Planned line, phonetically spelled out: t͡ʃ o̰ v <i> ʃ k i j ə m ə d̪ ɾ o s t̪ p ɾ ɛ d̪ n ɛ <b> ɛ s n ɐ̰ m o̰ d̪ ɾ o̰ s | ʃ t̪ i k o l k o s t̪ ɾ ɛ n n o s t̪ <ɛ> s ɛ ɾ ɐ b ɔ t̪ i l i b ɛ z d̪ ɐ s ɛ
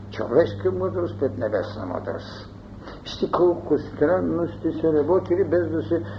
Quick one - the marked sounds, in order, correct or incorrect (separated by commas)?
incorrect, correct, incorrect